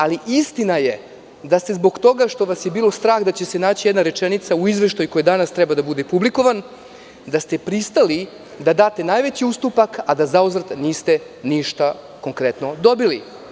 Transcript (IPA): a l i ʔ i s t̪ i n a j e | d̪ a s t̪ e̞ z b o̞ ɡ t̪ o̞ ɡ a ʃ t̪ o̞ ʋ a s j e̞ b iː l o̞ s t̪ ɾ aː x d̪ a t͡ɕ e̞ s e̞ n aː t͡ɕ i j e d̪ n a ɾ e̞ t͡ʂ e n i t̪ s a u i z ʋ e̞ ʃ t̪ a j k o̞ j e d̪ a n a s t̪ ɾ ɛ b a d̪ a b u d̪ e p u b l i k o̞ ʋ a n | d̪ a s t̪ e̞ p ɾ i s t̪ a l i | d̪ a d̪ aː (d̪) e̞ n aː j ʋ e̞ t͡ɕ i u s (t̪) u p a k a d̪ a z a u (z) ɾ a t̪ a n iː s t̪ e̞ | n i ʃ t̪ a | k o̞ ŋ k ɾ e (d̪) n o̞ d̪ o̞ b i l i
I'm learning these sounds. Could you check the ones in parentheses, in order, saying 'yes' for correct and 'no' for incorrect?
no, yes, yes, no

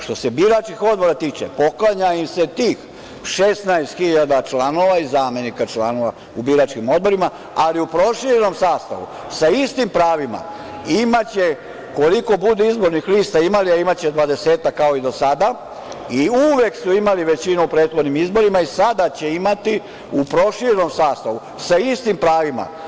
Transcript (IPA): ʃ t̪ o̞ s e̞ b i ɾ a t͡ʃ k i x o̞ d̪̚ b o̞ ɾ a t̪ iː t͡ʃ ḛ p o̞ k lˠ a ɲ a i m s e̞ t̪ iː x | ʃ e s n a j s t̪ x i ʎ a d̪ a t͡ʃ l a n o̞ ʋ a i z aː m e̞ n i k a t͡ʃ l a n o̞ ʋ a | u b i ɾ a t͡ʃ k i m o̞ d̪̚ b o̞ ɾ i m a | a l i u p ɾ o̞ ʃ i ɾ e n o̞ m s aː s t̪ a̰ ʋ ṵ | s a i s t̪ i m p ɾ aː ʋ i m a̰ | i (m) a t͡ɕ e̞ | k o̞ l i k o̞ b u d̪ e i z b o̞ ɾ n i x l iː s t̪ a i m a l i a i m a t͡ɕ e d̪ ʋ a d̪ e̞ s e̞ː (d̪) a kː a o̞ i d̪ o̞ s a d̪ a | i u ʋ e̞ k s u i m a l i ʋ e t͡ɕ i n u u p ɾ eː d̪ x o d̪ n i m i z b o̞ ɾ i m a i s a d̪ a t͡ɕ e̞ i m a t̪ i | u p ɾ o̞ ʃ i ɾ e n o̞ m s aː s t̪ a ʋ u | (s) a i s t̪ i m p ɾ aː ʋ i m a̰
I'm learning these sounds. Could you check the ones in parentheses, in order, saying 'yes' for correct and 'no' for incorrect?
yes, no, yes

